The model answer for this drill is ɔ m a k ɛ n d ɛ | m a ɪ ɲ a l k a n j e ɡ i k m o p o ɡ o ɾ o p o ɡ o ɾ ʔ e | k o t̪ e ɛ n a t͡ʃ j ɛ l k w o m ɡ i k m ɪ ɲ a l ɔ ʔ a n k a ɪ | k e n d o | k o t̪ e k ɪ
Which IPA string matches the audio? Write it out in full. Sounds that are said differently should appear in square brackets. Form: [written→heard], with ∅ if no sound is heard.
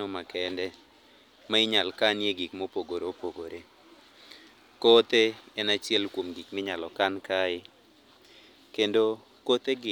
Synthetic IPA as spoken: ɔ m a k ɛ n d ɛ | m a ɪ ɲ a l k a n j e ɡ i k m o p o ɡ o ɾ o p o ɡ o ɾ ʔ e | k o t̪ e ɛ n a t͡ʃ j ɛ l k w o m ɡ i k m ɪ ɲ a l ɔ [ʔ→k] a n k a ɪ | k e n d o | k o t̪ e [k→ɡ] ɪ